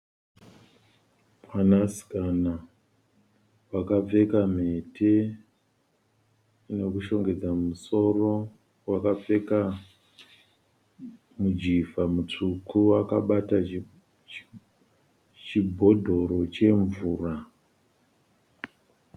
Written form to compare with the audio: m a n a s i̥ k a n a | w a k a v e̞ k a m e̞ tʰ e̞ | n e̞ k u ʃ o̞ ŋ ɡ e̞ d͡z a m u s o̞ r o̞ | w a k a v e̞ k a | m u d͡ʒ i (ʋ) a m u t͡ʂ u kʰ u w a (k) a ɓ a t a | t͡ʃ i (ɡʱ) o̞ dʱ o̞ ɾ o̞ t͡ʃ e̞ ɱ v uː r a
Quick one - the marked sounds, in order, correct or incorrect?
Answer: incorrect: v, correct, incorrect: bʱ

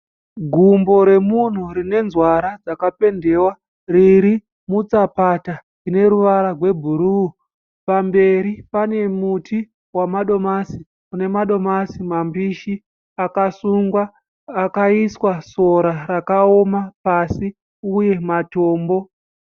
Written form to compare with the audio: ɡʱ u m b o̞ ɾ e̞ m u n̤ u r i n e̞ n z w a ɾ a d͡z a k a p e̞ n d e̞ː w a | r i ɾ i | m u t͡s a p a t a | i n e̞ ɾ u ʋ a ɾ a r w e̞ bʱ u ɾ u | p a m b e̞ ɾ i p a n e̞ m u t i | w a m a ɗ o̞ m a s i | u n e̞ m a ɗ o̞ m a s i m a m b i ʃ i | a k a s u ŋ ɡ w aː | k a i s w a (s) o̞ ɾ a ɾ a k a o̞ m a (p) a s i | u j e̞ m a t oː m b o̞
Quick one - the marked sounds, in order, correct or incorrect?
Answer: correct, correct

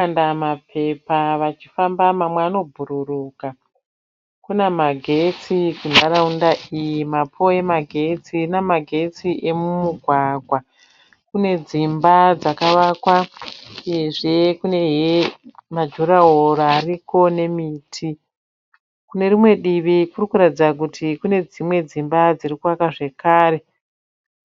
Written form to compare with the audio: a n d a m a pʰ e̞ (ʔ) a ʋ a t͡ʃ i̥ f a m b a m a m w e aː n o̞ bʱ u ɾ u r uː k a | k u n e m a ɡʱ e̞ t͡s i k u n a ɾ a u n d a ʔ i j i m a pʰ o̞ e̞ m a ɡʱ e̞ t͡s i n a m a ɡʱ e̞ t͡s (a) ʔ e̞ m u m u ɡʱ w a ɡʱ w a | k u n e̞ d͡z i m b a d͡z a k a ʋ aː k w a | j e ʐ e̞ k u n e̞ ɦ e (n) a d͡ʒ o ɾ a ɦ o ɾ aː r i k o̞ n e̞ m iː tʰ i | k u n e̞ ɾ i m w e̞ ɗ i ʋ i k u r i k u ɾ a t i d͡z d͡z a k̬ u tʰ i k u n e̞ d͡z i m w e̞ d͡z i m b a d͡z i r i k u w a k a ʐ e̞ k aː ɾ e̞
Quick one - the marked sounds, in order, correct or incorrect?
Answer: incorrect: p, incorrect: i, incorrect: m

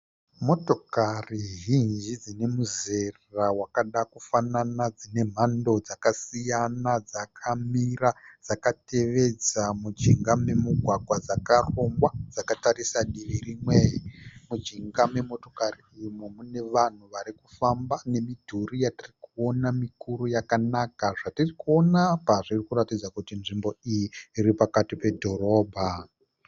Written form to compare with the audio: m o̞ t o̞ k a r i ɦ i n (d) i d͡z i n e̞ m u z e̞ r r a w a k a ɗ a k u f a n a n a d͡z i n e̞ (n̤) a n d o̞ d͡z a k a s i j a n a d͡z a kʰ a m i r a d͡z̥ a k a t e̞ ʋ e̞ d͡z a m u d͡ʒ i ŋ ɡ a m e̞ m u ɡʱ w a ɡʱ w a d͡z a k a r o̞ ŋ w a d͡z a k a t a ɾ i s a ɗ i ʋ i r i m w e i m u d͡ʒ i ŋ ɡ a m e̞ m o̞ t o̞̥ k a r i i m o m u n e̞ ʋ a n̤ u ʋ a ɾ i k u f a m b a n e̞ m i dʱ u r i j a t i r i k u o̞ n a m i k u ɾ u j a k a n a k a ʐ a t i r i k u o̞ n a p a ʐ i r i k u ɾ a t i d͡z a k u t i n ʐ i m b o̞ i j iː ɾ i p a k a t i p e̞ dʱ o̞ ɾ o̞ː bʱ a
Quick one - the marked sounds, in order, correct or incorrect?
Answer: incorrect: d͡ʒ, incorrect: m̤

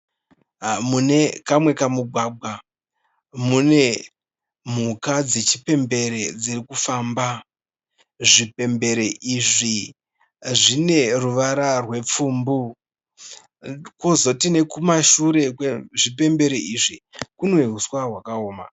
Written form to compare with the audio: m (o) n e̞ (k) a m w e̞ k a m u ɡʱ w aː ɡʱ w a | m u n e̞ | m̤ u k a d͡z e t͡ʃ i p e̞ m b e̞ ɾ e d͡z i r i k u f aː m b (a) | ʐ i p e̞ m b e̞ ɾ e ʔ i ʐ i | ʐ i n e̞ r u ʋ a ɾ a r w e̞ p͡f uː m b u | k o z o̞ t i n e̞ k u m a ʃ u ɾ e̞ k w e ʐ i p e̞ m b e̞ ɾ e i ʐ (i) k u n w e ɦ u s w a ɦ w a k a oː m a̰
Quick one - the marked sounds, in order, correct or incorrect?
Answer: incorrect: u, correct, correct, correct

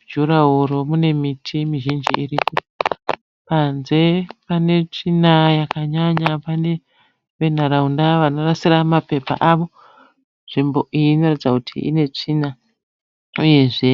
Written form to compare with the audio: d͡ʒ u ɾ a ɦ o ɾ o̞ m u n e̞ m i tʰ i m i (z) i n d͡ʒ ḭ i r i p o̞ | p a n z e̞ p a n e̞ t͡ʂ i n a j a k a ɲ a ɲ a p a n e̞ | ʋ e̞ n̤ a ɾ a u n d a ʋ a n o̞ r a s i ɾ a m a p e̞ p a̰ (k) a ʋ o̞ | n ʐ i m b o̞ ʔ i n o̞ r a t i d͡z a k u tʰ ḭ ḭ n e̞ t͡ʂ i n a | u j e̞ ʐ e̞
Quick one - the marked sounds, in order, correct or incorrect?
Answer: incorrect: ʒ, incorrect: ʔ

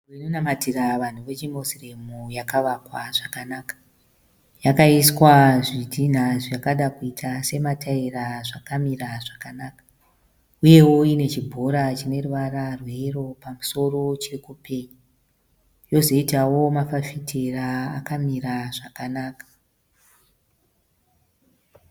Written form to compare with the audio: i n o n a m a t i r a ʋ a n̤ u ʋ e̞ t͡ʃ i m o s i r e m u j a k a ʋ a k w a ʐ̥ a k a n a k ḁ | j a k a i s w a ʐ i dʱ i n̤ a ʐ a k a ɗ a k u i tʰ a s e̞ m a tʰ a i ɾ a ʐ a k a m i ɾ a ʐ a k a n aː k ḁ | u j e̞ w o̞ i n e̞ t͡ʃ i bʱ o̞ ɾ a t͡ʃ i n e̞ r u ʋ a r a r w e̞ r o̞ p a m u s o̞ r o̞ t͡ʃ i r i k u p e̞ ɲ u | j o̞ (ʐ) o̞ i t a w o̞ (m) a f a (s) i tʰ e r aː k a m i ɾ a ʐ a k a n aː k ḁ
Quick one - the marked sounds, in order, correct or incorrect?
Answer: incorrect: z, correct, incorrect: f

